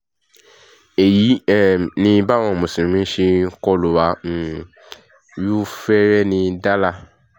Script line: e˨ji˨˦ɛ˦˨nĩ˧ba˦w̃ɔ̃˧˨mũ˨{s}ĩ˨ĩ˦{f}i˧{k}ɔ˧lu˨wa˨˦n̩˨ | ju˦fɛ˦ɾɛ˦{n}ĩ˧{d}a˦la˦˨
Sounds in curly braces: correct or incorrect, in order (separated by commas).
correct, incorrect, correct, correct, correct